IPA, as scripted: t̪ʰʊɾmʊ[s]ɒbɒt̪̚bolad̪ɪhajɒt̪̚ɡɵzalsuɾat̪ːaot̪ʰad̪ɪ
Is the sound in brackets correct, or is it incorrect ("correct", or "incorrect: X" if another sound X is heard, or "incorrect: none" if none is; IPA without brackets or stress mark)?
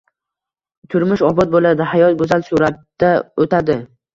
incorrect: ʃ